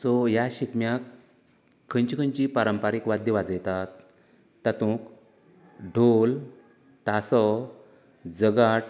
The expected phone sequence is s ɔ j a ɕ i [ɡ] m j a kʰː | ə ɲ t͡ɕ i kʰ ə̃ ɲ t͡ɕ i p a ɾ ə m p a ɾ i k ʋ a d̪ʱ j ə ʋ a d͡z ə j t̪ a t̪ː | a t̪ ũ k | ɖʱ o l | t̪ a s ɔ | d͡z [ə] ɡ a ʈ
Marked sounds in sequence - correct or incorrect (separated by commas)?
incorrect, correct